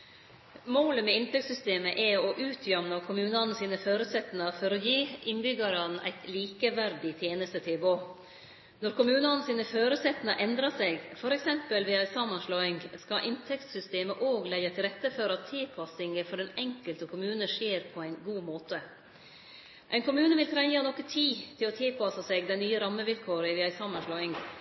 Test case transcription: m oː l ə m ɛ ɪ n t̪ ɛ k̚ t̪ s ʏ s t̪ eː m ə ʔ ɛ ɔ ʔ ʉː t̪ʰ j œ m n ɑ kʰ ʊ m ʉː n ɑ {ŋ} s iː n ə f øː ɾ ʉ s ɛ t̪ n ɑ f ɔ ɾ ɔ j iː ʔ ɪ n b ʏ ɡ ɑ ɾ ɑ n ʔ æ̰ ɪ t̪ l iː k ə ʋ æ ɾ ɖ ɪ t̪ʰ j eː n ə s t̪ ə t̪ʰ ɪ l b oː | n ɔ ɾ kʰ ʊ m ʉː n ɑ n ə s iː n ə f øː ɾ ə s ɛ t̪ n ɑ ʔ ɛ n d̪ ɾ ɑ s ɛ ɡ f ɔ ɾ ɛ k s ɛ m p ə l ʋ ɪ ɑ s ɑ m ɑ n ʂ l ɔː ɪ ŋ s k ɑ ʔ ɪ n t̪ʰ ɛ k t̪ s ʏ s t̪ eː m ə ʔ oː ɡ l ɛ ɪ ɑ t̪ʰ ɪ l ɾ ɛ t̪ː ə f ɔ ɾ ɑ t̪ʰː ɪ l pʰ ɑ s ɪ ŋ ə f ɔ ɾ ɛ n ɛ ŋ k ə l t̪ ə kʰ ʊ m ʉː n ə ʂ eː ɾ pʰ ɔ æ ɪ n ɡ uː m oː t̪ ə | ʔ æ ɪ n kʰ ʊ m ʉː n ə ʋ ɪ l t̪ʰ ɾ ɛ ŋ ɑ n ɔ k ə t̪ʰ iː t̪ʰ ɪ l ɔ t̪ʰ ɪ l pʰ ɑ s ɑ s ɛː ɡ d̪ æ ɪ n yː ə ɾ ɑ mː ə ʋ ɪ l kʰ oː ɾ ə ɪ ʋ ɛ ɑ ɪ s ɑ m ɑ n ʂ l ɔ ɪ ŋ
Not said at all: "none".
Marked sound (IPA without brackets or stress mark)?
n